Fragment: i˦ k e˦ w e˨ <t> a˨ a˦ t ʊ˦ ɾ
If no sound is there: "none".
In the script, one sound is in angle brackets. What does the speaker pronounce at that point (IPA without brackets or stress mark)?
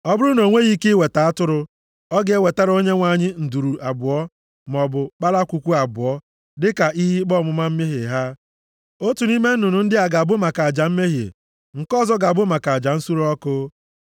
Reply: t